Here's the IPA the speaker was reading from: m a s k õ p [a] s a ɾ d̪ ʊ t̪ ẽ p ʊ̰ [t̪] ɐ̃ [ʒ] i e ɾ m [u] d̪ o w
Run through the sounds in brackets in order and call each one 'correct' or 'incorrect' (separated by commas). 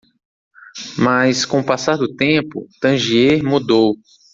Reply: correct, correct, correct, correct